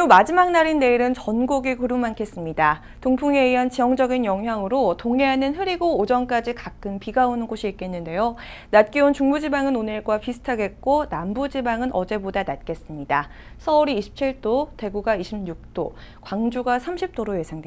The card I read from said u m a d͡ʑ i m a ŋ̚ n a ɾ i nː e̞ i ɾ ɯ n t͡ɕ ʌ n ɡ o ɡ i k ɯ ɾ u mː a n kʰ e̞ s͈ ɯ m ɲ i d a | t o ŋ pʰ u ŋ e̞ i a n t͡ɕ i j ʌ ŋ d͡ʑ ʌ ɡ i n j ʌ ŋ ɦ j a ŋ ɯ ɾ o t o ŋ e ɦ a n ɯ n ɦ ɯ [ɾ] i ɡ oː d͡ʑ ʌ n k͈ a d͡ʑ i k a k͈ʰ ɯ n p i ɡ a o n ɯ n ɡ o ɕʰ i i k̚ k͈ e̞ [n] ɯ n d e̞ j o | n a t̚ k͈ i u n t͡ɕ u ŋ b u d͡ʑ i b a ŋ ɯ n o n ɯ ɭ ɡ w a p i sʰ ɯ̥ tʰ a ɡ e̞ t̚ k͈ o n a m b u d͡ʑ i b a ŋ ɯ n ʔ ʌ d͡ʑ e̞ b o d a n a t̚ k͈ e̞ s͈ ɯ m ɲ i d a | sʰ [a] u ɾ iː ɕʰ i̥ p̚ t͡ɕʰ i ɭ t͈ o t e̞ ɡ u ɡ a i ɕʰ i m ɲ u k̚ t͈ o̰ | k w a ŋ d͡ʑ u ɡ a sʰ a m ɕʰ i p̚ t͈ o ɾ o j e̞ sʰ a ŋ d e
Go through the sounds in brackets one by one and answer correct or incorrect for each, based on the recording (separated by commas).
correct, incorrect, incorrect